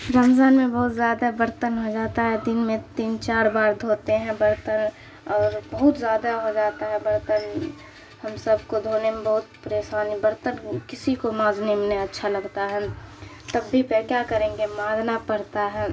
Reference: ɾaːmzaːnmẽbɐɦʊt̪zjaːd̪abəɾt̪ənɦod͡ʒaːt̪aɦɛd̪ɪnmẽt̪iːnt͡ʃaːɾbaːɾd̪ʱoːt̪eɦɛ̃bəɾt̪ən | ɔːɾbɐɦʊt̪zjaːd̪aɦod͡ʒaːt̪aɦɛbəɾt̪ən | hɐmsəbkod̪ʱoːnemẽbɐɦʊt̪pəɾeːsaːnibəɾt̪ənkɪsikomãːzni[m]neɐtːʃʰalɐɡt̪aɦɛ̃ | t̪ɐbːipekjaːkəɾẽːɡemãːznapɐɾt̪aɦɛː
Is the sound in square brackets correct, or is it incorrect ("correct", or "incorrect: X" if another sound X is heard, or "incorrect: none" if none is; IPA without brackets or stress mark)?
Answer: correct